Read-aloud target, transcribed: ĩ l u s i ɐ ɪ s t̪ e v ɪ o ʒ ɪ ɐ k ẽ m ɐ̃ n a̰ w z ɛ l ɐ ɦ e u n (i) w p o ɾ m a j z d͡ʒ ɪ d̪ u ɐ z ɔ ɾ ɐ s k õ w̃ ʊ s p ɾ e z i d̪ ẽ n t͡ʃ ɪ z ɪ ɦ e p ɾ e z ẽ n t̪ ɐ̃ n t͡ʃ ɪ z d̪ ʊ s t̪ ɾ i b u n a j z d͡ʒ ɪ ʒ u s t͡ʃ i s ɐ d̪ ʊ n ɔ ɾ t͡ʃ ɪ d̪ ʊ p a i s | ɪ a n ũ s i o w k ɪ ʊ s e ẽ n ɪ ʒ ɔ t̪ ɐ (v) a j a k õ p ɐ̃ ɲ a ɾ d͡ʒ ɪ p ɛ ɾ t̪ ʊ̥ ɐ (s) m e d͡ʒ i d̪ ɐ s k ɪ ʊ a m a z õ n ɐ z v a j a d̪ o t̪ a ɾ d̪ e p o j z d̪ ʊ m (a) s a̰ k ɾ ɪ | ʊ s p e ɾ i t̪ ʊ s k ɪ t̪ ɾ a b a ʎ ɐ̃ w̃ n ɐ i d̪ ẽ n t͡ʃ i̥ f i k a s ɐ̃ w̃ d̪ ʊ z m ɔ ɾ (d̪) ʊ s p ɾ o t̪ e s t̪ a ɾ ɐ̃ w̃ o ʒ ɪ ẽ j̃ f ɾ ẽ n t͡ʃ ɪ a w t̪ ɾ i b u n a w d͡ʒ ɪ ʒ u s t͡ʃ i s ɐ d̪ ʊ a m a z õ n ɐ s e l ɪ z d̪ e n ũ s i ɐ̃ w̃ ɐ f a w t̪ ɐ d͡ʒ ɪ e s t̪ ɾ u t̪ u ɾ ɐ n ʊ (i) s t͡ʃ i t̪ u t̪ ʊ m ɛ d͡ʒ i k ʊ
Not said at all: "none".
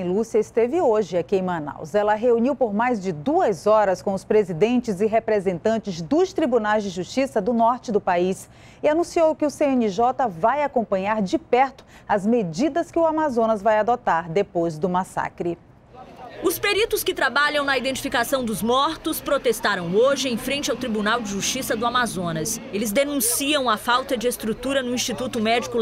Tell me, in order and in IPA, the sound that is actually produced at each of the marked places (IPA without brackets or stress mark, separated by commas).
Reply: i, v, z, a, t̪, ĩ